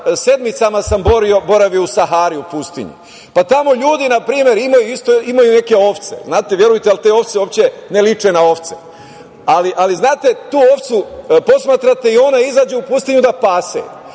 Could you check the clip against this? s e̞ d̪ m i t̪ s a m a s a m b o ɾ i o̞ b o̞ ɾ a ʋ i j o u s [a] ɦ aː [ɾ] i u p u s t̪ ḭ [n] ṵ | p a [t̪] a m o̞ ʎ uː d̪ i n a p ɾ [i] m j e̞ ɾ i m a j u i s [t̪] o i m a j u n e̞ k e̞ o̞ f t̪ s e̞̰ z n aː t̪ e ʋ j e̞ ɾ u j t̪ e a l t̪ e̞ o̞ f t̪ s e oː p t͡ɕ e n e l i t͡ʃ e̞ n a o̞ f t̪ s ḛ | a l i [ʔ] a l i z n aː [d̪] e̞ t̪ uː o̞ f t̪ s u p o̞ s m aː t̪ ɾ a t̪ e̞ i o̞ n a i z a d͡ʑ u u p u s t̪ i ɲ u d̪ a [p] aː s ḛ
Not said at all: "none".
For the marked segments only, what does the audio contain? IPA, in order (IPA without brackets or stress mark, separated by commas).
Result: a, ɾ, ɲ, t̪, iː, t̪, ʔ, t̪, p